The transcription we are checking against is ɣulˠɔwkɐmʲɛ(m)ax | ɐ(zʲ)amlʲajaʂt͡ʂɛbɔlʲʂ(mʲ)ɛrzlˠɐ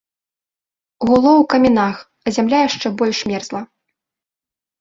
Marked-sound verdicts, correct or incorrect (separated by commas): incorrect, correct, correct